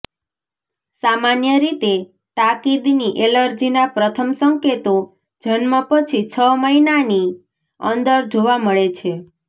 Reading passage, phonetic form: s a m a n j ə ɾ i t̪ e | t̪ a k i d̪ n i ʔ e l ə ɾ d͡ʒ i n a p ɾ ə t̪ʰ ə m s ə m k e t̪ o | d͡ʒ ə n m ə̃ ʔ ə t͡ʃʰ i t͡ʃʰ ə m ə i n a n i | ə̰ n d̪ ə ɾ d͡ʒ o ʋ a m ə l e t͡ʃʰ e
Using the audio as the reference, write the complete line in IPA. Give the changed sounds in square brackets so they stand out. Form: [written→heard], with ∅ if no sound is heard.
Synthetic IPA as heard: s a m a n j ə ɾ i t̪ e | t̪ a k i d̪ n i ʔ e l ə ɾ d͡ʒ i n a p ɾ ə t̪ʰ ə m s ə [m→ŋ] k e t̪ o | d͡ʒ ə n m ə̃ [ʔ→p] ə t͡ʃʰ i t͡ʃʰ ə m ə i n a n i | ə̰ n d̪ ə ɾ d͡ʒ o ʋ a m ə [l→ɭ] e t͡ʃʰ e